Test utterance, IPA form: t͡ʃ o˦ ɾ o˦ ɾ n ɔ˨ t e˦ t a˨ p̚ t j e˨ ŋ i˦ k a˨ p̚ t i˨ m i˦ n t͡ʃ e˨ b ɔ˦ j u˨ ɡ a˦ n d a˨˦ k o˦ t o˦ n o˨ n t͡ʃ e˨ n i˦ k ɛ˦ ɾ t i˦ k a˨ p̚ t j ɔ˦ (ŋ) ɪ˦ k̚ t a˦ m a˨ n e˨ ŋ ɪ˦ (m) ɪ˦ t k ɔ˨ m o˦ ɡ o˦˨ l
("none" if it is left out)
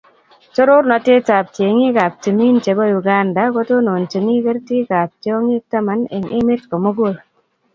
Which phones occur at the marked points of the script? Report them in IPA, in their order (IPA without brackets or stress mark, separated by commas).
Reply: ŋ, m